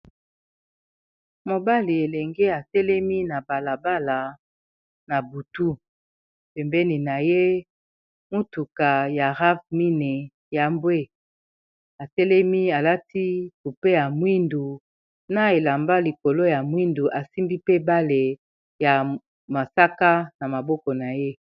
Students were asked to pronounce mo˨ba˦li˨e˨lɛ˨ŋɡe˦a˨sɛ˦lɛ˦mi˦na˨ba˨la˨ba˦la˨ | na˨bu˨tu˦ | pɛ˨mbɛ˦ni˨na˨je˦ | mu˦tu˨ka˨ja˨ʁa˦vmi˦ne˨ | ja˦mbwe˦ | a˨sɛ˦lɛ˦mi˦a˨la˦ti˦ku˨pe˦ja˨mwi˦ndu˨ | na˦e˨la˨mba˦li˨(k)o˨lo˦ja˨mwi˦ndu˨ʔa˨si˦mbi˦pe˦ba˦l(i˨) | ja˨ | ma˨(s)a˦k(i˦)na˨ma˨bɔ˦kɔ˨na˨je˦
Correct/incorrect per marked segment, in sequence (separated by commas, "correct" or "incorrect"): correct, incorrect, correct, incorrect